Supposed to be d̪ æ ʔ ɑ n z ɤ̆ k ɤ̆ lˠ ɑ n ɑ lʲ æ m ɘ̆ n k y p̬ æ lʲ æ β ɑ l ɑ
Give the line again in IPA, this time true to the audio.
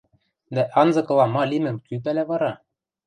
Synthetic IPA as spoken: d̪ æ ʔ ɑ n z ɤ̆ k ɤ̆ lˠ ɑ m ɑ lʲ i m ɘ̆ m k y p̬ æ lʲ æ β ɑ ɾ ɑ

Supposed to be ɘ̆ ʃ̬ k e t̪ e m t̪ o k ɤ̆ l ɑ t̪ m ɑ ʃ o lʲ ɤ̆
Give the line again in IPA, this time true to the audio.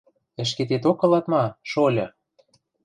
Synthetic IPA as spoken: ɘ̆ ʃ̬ k e t̪ e t̪ o k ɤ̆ l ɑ t̪ m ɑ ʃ o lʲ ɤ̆

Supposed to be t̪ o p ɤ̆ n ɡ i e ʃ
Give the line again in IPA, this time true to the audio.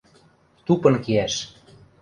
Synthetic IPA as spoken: t̪ u p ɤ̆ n k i æ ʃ

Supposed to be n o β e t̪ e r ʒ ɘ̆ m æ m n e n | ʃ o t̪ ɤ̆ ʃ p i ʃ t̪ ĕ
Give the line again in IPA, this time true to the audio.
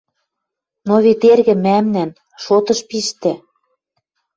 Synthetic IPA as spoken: n o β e t̪ e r ɣ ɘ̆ m æ m n æ n | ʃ o t̪ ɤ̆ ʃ p i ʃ t̪ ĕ

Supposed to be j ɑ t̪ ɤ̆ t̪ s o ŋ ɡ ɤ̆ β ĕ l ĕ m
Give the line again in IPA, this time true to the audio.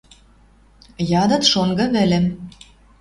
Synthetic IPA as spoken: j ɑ d̪ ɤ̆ t̪ ʃ o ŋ ɡ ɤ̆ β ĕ l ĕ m

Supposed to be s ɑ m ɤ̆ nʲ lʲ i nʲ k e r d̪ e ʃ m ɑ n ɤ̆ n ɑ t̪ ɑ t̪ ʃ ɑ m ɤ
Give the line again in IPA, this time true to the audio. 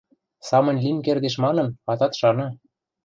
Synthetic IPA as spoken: s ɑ m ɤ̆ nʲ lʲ i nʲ k e r d̪ e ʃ m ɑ n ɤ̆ n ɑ t̪ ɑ t̪ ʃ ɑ n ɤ

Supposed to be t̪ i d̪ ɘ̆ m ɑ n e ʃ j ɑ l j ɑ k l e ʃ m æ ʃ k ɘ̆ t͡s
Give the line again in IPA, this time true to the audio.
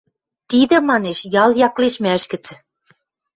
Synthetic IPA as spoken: t̪ i d̪ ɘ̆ m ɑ n e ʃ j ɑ l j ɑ k l e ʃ m æ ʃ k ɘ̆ t͡s

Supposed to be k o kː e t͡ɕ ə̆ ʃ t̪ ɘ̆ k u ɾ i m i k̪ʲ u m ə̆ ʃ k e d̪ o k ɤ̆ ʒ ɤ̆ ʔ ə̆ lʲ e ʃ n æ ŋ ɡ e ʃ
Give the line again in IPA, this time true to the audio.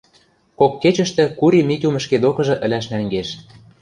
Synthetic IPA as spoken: k o kː e t͡ɕ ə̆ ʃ t̪ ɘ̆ k u ɾ i m i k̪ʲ u m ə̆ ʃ k e d̪ o k ɤ̆ ʒ ɤ̆ ʔ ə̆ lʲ æ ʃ n æ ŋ ɡ e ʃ

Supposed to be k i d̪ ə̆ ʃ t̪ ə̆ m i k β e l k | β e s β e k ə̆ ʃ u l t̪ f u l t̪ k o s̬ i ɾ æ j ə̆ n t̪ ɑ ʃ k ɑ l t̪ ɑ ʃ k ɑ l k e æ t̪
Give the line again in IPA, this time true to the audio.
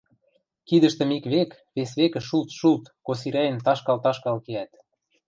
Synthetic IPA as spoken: k i d̪ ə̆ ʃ t̪ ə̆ m i k β e k | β e s β e k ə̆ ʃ u l t̪ ʃ u l t̪ k o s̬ i ɾ æ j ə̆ n t̪ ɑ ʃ k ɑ l t̪ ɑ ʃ k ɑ l k e æ t̪

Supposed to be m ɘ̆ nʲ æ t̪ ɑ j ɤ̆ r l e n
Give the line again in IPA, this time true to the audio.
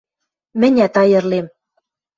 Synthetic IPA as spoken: m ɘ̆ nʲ æ t̪ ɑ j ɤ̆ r l e m

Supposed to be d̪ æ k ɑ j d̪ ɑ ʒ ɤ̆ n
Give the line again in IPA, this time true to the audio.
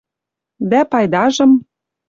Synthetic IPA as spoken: d̪ æ p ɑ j d̪ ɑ ʒ ɤ̆ m

